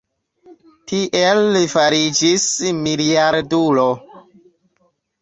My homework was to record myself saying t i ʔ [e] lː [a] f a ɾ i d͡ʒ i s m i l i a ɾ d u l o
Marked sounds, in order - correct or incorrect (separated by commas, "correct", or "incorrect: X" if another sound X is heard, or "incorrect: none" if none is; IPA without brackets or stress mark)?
correct, incorrect: i